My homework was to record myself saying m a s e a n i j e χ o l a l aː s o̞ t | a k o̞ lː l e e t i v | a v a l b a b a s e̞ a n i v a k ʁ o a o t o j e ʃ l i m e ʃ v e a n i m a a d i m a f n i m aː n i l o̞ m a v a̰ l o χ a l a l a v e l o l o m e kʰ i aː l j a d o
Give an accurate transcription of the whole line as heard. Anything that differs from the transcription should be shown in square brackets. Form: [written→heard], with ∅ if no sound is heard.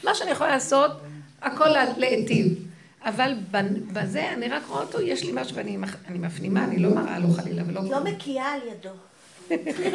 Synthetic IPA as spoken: m a [s→ʃ] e a n i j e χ o l a l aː s o̞ t | a k o̞ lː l e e t i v | a v a l b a b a [s→z] e̞ a n i [v→ʁ] a k ʁ o a o t o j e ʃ l i m [e→a] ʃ v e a n i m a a [d→n] i m a f n i m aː n i l o̞ m a [v→ʁ] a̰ l o χ a l [a→i] l a v e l o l o m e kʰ i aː l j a d o